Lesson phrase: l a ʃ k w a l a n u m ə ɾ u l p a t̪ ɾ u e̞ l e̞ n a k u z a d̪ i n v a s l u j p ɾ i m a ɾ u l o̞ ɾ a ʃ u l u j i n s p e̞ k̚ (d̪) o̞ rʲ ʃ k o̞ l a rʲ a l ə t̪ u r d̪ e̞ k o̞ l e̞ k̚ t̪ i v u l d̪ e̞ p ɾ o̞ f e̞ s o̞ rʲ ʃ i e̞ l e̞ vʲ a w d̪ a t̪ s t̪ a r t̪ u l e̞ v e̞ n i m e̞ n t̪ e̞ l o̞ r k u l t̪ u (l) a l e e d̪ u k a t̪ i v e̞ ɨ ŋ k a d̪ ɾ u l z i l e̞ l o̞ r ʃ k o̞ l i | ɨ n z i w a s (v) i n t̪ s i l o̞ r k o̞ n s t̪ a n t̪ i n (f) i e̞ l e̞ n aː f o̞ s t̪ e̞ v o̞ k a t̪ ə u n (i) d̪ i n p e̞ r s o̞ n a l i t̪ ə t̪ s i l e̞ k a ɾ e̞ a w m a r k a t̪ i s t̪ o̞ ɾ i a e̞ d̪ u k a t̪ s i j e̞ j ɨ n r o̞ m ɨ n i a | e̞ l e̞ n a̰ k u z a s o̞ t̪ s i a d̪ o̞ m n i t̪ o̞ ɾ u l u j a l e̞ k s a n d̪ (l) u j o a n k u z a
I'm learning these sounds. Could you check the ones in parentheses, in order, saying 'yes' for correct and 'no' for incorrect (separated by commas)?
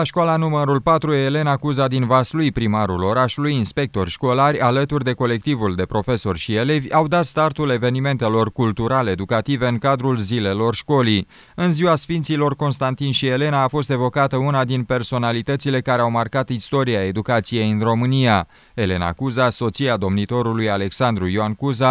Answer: no, no, no, no, no, no